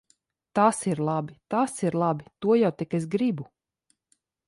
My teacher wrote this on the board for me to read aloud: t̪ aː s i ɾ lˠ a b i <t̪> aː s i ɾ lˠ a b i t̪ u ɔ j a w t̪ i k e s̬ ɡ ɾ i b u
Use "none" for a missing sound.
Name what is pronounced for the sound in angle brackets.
t̪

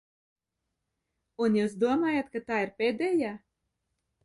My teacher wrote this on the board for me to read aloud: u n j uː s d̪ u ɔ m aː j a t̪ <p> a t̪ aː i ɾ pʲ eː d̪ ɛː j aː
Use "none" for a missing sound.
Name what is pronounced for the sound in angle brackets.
k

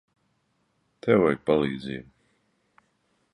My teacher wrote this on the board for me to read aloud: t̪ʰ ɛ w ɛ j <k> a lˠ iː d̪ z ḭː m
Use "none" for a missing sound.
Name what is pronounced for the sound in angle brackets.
p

